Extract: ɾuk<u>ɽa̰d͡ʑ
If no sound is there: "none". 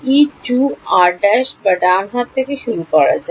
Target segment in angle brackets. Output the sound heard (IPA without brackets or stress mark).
ɔ